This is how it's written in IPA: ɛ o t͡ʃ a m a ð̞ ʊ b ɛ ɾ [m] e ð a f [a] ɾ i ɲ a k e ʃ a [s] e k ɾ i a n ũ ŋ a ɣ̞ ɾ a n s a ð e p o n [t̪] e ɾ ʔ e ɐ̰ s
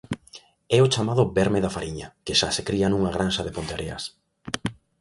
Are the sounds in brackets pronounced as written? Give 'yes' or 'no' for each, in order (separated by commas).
yes, yes, yes, yes